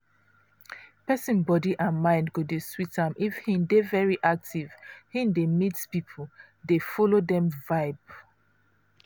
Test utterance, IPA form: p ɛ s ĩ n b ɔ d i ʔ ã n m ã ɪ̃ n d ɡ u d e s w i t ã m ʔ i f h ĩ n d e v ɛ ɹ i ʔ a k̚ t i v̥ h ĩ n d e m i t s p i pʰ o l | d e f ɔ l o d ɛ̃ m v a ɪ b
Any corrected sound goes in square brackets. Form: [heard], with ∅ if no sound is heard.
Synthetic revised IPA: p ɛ s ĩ n b ɔ d i ʔ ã n m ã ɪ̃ n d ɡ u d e s w i t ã m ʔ i f h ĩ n d e v ɛ ɹ i ʔ a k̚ t i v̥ h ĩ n d e m i t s p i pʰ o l | d e f ɔ l o d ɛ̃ m v a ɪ b

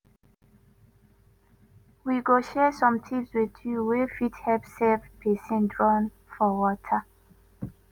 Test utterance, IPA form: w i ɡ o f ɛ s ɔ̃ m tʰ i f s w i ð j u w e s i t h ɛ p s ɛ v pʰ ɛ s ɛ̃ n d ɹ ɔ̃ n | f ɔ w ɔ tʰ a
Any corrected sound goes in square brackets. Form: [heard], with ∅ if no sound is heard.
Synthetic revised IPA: w i ɡ o [ʃ] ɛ s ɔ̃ m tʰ i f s w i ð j u w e [f] i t h ɛ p s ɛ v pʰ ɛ s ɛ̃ n d ɹ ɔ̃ n | f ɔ w ɔ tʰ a

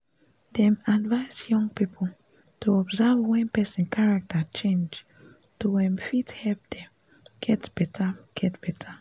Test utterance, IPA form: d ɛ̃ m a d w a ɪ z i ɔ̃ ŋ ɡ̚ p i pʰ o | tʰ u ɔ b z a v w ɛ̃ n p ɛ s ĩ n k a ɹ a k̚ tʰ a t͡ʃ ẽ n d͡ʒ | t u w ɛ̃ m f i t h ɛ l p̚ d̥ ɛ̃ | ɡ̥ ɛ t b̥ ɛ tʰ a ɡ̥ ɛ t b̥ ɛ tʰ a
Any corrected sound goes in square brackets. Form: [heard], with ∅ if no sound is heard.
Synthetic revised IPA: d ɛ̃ m a d [v] a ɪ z [j] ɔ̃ ŋ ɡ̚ p i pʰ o | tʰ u ɔ b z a v w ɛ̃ n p ɛ s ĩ n k a ɹ a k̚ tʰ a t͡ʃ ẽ n d͡ʒ | t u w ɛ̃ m f i t h ɛ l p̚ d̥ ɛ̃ | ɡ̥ ɛ t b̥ ɛ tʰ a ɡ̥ ɛ t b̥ ɛ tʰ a

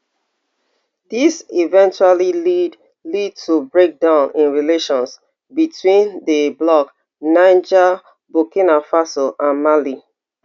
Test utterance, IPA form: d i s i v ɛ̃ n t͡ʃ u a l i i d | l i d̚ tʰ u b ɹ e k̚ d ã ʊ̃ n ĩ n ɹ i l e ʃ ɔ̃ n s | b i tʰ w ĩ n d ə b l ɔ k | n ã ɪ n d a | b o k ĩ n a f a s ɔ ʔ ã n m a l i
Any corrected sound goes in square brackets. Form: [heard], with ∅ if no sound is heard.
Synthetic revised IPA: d i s i v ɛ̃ n t͡ʃ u a l i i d | l i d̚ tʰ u b ɹ e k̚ d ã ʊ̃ n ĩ n ɹ i l e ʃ ɔ̃ n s | b i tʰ w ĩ n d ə b l ɔ k | n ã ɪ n [d͡ʒ] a | b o k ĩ n a f a s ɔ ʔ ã n m a l i

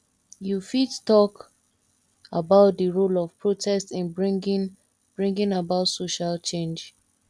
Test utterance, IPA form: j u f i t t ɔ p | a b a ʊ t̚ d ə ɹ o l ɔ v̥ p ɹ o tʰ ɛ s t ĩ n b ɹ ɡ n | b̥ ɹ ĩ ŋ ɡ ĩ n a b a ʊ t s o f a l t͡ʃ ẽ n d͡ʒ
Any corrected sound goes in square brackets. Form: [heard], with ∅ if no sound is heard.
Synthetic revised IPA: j u f i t t ɔ [k] | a b a ʊ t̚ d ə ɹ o l ɔ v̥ p ɹ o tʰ ɛ s t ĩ n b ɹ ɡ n | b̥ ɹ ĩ ŋ ɡ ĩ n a b a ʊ t s o [ʃ] a l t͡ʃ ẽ n d͡ʒ

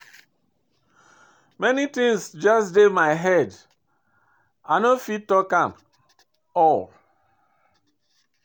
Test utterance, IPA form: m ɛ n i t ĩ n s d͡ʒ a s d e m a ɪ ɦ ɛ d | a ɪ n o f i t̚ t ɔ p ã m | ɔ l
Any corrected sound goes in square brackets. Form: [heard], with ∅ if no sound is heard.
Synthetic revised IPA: m ɛ n i t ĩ [ŋ] s d͡ʒ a s d e m a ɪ ɦ ɛ d | a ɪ n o f i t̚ t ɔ [k] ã m | ɔ l

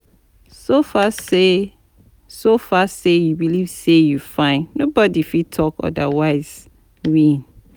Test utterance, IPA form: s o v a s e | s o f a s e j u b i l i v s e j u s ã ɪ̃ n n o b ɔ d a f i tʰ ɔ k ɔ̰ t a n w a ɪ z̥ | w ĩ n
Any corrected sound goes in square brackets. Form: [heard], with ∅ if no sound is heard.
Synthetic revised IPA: s o [f] a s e | s o f a s e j u b i l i v s e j u [f] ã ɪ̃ n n o b ɔ d [i] f i tʰ ɔ k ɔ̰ [d] a [∅] w a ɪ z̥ | w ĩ n

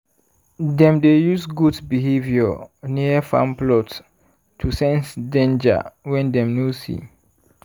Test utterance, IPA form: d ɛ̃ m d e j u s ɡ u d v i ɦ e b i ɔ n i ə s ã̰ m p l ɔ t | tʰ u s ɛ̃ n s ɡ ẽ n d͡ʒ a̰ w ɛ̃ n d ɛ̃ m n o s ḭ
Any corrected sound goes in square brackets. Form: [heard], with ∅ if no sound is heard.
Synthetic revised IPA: d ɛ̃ m d e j u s ɡ u d [b] i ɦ e [v] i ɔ n i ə [f] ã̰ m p l ɔ t | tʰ u s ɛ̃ n s [d] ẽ n d͡ʒ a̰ w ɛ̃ n d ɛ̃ m n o s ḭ

